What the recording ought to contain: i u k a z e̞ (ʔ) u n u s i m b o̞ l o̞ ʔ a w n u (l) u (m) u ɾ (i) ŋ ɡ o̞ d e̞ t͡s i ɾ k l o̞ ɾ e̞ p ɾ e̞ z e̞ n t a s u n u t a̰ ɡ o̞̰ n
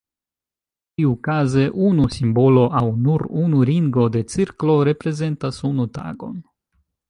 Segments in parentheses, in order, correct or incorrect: correct, incorrect: ɾ, incorrect: n, correct

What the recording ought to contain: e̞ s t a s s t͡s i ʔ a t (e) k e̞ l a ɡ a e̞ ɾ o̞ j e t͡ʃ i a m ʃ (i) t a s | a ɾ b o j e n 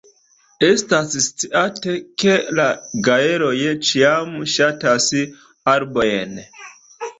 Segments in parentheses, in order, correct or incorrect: correct, incorrect: a

